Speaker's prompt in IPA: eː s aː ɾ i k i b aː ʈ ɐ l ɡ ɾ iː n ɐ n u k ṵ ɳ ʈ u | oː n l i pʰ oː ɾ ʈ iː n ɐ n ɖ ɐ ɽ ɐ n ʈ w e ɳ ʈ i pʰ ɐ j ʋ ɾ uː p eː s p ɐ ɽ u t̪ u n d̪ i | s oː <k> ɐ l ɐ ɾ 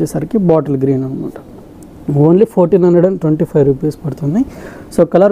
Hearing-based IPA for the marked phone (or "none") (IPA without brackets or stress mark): k